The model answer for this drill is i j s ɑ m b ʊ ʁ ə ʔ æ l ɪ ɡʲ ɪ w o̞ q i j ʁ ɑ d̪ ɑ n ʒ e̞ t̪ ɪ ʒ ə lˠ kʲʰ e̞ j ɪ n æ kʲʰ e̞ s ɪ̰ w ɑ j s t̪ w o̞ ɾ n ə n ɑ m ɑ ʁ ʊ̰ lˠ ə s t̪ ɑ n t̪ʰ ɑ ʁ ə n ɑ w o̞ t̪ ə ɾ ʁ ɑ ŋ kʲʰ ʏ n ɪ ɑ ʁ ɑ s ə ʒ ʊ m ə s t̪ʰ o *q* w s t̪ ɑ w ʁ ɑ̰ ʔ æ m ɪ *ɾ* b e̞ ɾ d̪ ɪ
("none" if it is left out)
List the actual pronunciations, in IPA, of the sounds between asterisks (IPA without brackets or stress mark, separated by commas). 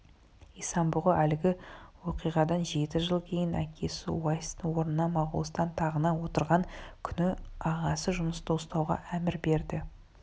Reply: none, ɾ